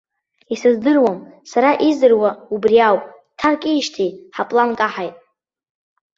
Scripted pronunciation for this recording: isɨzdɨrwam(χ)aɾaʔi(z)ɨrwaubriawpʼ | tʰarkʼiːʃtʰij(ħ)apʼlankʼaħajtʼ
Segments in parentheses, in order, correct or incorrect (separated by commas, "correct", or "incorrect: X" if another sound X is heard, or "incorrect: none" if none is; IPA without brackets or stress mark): incorrect: s, correct, correct